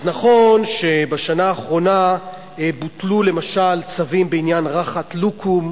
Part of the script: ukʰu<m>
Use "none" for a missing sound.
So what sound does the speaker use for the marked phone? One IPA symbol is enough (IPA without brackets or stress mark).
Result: m